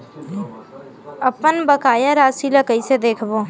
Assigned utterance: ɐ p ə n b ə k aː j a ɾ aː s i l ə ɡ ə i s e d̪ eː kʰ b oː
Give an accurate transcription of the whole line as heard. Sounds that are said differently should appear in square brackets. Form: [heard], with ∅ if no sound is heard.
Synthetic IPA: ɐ p ə n b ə k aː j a ɾ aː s i l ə [k] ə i s e d̪ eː kʰ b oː